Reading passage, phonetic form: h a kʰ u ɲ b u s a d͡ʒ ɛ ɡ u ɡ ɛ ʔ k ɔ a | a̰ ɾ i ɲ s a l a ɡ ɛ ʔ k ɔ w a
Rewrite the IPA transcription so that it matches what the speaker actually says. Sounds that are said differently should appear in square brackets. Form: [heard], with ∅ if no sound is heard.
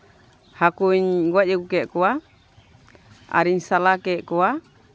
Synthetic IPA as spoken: h a [k] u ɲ [ɡ] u [∅] a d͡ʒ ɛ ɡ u [k] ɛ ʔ k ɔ a | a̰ ɾ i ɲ s a l a [k] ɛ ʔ k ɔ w a